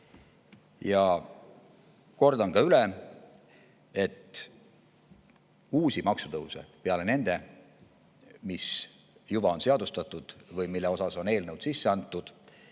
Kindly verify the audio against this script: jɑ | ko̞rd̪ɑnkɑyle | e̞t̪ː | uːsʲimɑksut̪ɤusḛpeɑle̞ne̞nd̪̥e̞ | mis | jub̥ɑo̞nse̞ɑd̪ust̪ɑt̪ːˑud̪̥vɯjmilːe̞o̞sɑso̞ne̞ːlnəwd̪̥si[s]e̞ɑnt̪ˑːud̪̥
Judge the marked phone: incorrect: sː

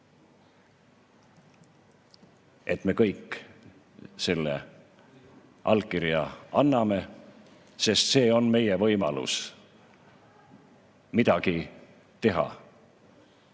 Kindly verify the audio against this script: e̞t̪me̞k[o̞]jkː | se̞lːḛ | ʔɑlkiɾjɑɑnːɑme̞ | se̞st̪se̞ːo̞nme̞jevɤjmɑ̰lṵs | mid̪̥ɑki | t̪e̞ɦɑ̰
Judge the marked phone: incorrect: ɤ̞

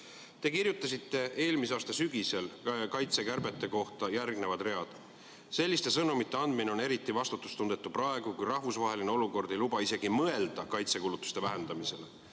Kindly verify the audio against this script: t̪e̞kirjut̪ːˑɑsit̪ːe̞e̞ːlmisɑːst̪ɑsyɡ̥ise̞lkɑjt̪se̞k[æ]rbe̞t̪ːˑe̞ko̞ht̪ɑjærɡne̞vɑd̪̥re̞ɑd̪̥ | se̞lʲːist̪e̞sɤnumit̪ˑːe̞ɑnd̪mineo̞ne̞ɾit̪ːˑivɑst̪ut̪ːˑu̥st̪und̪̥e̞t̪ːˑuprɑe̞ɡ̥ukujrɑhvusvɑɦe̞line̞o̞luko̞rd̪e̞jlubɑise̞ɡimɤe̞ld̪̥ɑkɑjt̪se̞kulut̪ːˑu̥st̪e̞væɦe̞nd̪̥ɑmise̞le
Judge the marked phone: correct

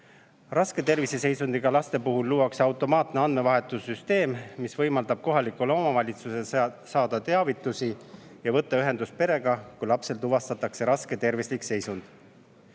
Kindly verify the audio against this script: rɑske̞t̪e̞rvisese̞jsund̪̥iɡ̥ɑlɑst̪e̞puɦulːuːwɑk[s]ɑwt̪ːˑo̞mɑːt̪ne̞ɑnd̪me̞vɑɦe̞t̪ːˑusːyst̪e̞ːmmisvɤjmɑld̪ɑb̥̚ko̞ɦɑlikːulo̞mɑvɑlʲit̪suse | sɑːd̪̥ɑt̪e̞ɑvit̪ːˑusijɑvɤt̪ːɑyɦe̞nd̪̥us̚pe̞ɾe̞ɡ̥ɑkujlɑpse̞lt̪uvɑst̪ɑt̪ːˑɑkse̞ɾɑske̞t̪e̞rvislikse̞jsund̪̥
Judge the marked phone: correct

